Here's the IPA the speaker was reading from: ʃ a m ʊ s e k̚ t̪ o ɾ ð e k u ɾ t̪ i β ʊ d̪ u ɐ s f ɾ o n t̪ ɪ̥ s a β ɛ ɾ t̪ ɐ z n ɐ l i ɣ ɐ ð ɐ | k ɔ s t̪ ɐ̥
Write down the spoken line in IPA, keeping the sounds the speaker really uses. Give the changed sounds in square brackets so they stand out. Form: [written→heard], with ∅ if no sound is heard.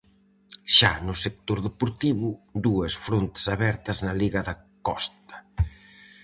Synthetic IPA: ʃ a [m→n] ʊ s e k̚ t̪ o ɾ ð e [k→p] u ɾ t̪ i β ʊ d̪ u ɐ s f ɾ o n t̪ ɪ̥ s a β ɛ ɾ t̪ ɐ z n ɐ l i ɣ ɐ ð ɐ | k ɔ s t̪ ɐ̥